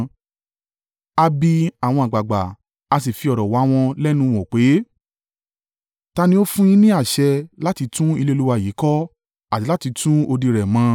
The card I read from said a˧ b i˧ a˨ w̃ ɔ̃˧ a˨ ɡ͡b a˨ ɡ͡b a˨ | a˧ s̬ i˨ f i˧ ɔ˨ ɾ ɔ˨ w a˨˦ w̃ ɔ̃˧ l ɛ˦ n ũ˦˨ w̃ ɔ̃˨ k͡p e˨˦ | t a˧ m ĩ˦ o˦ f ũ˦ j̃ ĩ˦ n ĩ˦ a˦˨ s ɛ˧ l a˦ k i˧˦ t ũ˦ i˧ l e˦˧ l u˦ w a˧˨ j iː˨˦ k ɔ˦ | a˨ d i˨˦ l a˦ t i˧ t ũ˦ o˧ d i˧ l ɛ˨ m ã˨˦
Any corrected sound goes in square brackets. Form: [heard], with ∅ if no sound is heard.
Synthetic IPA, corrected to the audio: a˧ b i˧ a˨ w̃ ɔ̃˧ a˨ ɡ͡b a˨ ɡ͡b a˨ | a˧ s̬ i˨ f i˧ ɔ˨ ɾ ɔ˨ w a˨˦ w̃ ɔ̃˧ l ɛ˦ n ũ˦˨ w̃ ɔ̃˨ k͡p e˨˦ | t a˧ [n] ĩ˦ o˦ f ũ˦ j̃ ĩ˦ n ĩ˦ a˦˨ [ʃ] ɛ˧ l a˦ [t] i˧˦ t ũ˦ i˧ l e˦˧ l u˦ w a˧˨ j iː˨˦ k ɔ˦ | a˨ [t] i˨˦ l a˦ t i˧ t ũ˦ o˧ d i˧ [ɾ] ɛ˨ m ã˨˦